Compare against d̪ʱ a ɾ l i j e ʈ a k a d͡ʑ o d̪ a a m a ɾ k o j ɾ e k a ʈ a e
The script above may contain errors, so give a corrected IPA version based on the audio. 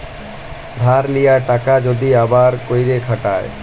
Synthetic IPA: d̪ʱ a ɾ l i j a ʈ a k a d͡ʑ o d̪ i a b a ɾ k o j ɾ e kʰ a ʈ a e